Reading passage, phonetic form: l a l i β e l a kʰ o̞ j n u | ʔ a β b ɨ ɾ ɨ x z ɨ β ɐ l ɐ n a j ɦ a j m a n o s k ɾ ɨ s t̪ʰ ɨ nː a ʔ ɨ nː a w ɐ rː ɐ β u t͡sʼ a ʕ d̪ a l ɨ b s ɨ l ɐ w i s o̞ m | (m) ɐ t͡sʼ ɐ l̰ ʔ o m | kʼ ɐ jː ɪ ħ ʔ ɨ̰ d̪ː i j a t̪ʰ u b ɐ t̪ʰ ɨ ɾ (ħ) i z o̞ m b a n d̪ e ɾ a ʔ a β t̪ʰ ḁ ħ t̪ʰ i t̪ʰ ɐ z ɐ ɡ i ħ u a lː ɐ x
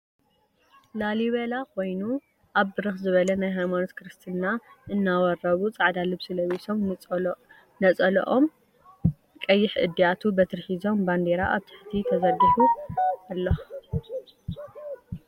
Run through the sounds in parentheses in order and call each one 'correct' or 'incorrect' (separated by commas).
incorrect, correct